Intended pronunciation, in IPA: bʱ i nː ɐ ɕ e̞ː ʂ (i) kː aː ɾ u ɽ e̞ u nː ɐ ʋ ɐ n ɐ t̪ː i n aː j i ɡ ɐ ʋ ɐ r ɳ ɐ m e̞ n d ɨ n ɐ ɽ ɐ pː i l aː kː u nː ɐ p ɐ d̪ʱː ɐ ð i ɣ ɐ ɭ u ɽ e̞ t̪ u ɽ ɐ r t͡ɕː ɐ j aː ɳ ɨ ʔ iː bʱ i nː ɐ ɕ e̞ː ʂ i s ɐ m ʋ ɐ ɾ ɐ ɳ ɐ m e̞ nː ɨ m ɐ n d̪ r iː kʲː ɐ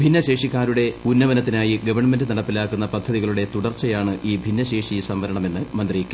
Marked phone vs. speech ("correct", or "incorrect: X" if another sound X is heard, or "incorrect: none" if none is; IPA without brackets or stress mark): correct